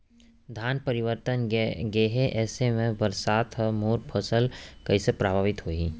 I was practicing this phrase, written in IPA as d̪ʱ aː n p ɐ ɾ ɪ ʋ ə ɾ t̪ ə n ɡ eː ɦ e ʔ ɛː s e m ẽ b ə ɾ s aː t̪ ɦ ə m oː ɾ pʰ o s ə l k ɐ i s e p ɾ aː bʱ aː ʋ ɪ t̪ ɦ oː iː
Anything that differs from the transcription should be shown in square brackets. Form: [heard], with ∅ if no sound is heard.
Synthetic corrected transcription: d̪ʱ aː n p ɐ ɾ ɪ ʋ ə ɾ t̪ ə n ɡ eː ɦ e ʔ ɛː s e m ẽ b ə ɾ s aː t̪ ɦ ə m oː ɾ pʰ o s ə l k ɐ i s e p ɾ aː bʱ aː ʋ ɪ t̪ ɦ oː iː